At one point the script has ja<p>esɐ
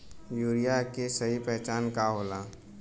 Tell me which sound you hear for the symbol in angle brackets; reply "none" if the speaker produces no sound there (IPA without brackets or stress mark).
k